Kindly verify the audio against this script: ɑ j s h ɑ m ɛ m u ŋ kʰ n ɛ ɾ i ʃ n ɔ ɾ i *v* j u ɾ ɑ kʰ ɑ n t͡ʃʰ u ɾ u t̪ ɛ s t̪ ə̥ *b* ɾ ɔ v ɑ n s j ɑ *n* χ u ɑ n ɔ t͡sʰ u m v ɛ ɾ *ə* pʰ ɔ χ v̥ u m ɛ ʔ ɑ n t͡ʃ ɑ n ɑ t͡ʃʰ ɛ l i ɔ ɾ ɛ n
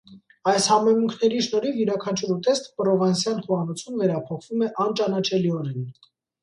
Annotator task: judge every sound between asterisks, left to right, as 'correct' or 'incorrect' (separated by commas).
correct, incorrect, correct, incorrect